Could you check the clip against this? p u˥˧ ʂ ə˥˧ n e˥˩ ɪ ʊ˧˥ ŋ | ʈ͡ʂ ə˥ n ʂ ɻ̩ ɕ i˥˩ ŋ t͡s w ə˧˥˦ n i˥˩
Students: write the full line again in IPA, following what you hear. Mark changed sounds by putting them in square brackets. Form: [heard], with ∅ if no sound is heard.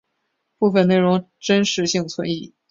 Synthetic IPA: p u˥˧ [f] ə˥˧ n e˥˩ ɪ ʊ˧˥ ŋ | ʈ͡ʂ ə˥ n ʂ ɻ̩ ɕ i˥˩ ŋ [t͡sʰ] w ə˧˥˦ n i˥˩